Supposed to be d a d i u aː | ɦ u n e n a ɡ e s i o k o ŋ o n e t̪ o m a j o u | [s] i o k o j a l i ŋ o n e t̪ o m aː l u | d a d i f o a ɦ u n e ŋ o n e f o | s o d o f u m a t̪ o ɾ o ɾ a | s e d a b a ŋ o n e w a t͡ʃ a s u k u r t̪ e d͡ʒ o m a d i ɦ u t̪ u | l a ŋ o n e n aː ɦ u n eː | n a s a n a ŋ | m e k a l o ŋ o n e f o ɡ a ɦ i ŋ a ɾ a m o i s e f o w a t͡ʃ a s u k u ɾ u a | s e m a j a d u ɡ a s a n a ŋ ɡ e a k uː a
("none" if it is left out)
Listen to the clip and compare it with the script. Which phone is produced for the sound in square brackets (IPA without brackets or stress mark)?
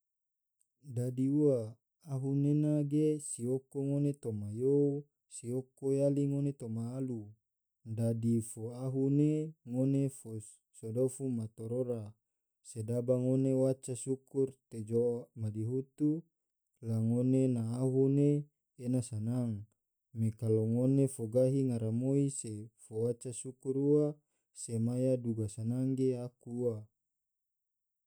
s